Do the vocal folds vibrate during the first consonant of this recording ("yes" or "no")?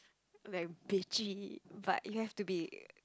yes